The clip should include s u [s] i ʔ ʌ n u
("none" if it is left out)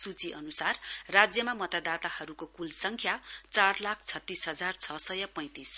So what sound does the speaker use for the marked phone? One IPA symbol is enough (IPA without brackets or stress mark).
t͡s